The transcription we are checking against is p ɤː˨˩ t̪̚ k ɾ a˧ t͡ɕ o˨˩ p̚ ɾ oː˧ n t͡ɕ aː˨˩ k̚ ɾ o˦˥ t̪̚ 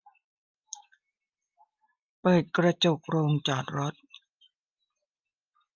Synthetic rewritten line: p ɤː˨˩ t̪̚ k ɾ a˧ t͡ɕ o˨˩ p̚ ɾ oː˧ ŋ t͡ɕ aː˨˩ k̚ ɾ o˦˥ t̪̚